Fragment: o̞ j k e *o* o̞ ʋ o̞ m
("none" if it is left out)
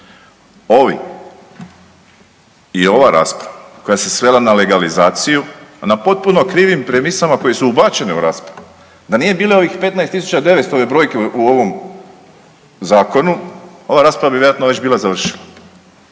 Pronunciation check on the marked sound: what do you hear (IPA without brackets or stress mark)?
u